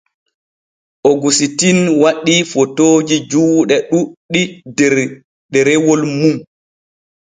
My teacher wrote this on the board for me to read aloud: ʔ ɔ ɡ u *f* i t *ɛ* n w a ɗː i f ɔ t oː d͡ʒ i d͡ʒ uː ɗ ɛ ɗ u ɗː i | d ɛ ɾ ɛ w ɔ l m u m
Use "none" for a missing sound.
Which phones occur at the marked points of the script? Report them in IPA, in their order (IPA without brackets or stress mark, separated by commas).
s, i